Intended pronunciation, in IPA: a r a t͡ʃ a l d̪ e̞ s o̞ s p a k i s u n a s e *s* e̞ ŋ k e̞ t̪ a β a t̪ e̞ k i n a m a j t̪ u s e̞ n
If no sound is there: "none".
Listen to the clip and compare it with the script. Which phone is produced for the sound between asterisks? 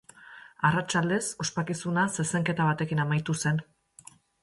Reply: s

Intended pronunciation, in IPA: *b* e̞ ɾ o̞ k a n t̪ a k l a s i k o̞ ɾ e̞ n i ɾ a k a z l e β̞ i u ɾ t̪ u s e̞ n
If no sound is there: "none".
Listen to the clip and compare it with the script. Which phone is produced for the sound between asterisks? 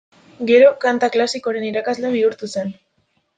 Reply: ɡ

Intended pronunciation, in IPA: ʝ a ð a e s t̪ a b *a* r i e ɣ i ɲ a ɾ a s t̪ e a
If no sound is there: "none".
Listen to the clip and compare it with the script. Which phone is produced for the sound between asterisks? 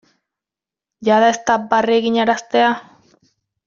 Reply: a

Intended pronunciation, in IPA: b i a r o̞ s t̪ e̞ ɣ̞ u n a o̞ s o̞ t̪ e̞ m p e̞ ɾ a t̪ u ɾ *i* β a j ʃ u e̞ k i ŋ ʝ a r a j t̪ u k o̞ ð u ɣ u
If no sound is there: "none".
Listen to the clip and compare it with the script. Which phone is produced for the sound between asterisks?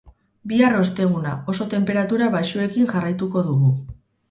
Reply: a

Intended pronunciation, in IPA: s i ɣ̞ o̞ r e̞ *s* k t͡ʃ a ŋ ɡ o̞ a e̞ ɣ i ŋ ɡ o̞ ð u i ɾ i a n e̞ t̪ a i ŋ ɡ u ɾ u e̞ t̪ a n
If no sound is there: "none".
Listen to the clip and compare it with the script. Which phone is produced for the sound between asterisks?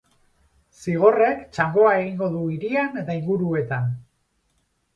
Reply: none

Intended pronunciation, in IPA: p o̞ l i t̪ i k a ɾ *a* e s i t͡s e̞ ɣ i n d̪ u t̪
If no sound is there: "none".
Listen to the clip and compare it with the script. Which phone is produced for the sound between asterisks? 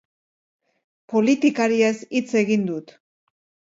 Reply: i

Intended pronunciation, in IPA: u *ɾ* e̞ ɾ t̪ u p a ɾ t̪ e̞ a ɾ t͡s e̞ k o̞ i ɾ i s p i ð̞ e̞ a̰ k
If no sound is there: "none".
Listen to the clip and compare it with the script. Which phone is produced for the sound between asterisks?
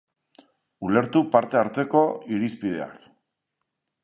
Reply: l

